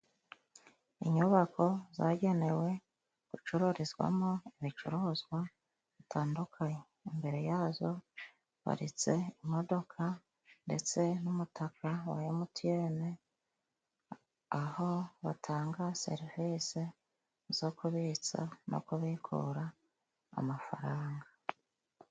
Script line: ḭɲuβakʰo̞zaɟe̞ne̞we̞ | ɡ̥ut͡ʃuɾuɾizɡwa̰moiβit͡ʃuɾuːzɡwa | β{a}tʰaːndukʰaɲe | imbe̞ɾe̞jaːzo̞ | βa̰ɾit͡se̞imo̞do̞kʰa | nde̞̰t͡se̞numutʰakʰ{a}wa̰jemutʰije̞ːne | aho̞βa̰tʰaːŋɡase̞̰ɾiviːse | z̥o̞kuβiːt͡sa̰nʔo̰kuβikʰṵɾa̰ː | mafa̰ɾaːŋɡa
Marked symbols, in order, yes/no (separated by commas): no, yes